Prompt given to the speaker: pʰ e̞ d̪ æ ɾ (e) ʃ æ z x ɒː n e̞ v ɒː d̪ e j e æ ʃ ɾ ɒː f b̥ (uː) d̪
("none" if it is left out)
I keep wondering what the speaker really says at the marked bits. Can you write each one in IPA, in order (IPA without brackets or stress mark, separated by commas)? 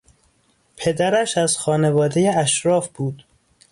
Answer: æ, uː